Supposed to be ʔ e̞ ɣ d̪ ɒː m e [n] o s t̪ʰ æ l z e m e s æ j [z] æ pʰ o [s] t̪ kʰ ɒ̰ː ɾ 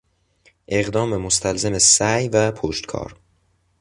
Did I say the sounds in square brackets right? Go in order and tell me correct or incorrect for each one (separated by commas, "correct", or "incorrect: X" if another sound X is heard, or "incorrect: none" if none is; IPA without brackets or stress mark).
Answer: incorrect: m, incorrect: v, incorrect: ʃ